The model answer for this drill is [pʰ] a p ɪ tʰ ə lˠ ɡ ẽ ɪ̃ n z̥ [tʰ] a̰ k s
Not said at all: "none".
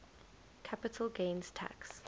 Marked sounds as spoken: kʰ, tʰ

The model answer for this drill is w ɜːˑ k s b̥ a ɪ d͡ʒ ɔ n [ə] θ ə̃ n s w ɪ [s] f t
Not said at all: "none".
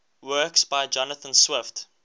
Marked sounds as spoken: ə, none

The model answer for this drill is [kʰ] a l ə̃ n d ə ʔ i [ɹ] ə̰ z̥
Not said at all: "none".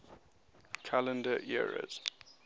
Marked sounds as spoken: kʰ, ɹ

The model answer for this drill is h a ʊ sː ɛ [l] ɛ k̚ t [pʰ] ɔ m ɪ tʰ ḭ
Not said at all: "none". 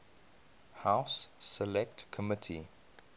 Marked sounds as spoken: l, kʰ

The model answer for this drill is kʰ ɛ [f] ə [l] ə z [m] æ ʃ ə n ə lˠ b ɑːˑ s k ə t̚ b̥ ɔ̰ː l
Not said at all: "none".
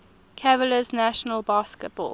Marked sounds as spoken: v, l, n

